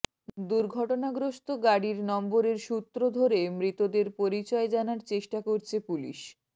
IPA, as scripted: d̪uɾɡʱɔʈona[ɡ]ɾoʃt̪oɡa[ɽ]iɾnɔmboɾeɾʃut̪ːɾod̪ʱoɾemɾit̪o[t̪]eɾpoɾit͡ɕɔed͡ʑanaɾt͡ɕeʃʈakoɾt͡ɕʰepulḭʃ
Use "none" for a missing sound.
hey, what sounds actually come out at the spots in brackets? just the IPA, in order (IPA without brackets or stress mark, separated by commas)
ɡ, ɽ, d̪